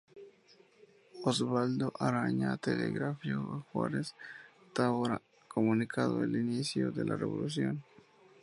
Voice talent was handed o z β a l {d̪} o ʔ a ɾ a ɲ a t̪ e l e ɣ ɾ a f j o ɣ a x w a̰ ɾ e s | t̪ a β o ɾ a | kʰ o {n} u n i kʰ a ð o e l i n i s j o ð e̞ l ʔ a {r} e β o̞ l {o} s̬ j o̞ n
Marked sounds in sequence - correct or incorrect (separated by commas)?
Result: correct, incorrect, correct, incorrect